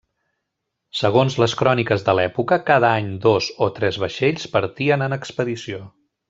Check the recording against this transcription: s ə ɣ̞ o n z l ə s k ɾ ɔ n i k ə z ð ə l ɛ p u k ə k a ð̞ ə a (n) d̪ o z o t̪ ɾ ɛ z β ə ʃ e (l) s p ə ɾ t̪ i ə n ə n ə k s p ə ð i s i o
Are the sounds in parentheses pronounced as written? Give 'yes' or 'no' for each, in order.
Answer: no, no

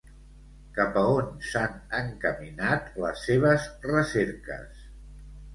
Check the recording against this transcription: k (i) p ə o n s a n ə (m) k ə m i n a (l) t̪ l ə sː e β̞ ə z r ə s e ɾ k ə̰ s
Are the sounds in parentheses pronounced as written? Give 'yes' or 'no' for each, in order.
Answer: no, no, no

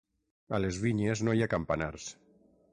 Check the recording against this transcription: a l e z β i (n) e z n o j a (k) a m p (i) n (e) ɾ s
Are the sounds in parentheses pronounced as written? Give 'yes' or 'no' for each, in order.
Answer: no, yes, no, no

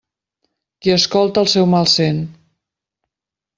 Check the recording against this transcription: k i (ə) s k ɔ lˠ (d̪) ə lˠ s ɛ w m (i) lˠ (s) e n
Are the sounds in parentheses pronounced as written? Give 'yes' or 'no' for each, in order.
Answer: yes, no, no, yes

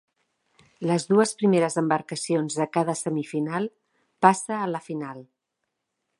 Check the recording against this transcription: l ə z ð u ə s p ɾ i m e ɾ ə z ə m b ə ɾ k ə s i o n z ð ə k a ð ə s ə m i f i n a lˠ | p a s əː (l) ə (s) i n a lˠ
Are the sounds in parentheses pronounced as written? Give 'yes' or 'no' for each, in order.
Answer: yes, no

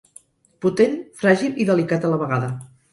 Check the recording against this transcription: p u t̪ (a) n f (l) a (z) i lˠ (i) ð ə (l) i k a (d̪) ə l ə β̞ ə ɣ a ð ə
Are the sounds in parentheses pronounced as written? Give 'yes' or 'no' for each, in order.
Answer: no, no, no, yes, yes, no

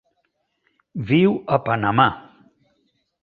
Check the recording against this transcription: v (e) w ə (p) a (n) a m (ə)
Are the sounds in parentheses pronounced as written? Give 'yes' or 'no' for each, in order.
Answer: no, yes, yes, no

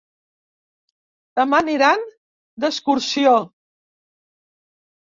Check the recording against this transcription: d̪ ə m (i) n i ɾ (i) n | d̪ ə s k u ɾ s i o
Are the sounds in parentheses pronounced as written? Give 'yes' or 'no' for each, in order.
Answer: no, no

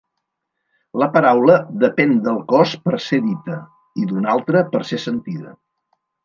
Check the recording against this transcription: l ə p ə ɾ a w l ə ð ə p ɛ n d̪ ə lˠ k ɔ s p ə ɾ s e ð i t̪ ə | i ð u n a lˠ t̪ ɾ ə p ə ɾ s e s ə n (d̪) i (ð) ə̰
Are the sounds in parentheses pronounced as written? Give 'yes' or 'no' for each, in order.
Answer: no, yes

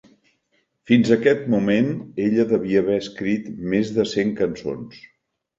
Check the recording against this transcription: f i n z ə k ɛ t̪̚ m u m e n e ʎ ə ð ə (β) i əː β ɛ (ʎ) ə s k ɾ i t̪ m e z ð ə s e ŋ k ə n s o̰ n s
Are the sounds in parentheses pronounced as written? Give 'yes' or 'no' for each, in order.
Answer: yes, no

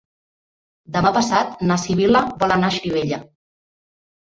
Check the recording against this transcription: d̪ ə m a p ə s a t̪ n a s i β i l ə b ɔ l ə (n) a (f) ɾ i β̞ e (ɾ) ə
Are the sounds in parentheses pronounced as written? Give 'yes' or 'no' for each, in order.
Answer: yes, no, no

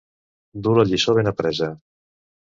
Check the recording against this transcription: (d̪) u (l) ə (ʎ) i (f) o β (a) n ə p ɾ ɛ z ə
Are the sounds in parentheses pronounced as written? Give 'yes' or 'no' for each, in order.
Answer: yes, yes, yes, no, no

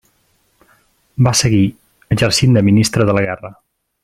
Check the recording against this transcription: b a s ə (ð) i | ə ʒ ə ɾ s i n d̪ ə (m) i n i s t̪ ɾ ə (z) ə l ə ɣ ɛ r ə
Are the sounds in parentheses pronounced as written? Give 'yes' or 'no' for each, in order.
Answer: no, yes, no

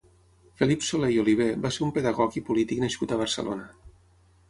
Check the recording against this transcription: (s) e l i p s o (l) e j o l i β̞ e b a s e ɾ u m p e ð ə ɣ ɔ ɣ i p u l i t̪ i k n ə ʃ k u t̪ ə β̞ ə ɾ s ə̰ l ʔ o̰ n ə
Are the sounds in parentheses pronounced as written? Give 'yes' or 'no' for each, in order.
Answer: no, yes

